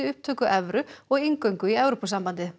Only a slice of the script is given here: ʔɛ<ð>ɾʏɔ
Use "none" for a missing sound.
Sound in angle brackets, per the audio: v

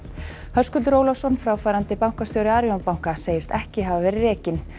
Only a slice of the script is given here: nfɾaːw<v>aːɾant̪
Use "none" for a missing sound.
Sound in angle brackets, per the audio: f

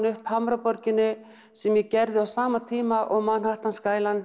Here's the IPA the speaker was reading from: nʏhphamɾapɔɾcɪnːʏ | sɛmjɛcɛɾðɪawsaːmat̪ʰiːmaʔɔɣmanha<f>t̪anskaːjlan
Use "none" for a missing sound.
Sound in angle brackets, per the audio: h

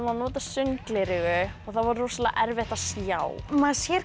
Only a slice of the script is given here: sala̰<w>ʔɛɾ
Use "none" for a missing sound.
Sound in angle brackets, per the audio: none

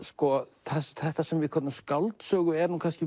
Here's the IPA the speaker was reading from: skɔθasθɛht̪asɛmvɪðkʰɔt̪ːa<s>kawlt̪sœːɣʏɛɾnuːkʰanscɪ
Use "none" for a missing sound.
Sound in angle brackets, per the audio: s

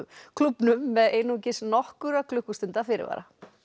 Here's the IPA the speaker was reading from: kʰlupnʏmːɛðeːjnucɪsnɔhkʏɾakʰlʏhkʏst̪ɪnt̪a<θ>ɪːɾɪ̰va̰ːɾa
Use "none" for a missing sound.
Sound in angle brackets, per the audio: f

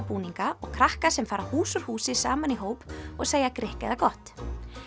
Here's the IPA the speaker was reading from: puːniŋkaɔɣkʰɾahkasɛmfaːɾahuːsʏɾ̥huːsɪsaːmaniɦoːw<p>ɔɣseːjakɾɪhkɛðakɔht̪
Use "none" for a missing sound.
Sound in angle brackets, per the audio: p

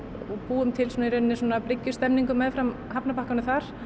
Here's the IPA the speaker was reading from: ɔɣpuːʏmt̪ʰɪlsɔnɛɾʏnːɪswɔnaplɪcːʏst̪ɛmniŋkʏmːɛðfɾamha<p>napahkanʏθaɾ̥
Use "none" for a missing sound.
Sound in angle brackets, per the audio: p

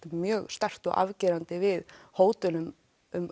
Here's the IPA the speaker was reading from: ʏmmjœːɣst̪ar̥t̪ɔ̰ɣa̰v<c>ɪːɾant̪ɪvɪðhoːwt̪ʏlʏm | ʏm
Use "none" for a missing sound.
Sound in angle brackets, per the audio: c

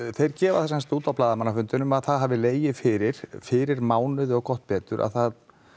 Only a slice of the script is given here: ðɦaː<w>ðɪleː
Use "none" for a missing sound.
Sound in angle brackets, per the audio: v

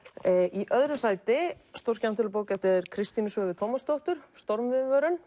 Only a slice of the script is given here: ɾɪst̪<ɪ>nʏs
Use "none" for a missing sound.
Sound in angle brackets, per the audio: i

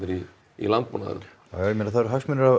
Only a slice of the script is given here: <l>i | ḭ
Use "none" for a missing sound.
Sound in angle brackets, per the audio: ɾ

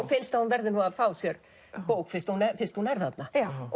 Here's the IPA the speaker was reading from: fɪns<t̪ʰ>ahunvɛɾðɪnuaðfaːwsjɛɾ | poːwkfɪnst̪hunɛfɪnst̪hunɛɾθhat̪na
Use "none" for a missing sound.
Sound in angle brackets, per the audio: t̪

